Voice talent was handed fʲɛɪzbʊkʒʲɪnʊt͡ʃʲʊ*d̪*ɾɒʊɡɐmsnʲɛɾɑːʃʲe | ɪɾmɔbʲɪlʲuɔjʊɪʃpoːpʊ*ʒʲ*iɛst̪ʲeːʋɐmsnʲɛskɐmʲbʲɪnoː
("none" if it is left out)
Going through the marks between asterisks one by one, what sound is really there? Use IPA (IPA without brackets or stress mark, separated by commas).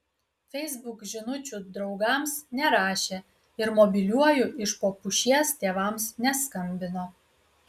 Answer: d̪, ʃʲ